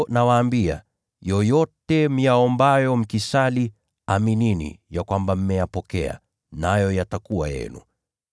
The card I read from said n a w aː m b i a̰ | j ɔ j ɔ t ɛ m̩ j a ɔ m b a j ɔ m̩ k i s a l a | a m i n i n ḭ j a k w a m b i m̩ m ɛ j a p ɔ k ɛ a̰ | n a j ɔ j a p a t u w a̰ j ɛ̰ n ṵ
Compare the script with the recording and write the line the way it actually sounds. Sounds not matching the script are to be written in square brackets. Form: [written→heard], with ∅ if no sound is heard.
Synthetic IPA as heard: n a w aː m b i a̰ | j ɔ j ɔ t ɛ m̩ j a ɔ m b a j ɔ m̩ k i s a l [a→i] | a m i n i n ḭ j a k w a m b [i→a] m̩ m ɛ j a p ɔ k ɛ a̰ | n a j ɔ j a [p→t] a [t→k] u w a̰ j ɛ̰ n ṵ